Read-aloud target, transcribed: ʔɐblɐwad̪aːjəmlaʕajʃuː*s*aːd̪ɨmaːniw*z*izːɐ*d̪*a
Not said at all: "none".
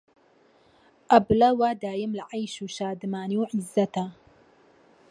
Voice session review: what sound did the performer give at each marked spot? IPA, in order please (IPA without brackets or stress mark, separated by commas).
ʃ, ʕ, t̪